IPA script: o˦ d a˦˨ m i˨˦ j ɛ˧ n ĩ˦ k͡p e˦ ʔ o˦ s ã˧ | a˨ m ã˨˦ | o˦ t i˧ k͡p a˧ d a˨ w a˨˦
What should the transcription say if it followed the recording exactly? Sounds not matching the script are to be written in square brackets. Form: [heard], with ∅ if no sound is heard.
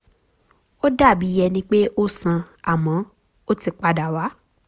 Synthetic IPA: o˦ d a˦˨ [b] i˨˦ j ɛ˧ n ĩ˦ k͡p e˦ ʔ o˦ s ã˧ | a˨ m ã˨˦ | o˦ t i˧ k͡p a˧ d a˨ w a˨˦